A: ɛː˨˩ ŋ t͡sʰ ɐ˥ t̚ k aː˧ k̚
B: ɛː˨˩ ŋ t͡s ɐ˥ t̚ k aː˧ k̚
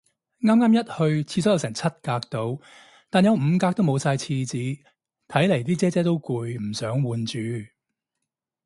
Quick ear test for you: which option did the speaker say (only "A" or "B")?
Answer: A